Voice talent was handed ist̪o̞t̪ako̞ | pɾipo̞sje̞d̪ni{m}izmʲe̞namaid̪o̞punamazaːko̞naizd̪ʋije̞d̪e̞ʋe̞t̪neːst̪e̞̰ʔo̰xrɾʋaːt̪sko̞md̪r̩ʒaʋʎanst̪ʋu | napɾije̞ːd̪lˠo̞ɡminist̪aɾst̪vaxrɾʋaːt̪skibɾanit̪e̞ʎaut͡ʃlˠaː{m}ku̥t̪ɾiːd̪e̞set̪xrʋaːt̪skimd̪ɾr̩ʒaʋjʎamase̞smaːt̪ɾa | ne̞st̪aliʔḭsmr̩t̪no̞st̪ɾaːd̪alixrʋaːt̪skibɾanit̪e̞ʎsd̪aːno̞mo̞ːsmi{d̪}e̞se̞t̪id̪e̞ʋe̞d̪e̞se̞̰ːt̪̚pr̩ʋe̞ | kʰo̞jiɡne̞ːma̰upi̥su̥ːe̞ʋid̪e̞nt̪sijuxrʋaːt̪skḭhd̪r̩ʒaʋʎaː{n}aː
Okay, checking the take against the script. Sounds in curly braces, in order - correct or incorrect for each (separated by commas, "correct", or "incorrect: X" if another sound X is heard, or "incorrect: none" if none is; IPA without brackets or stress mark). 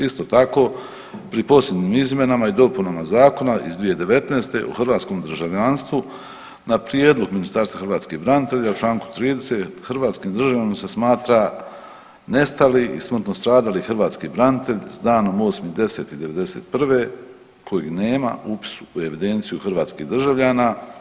correct, incorrect: ŋ, correct, correct